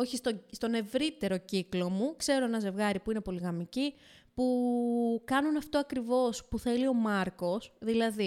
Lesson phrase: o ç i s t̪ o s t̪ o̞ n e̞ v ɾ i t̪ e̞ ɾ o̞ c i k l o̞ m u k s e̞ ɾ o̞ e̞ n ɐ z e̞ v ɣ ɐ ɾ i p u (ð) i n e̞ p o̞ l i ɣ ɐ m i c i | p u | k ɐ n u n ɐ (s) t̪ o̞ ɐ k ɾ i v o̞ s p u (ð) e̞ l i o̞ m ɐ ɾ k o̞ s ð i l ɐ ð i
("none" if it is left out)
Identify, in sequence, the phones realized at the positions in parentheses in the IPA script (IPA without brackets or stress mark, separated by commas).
none, f, θ